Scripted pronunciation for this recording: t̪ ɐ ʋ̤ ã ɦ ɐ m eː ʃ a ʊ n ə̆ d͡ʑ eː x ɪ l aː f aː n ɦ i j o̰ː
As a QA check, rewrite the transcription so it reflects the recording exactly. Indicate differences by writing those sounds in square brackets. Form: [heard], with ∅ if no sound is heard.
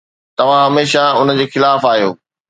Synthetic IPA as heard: t̪ ɐ ʋ̤ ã ɦ ɐ m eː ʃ a ʊ n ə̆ d͡ʑ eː x ɪ l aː f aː [∅] ɦ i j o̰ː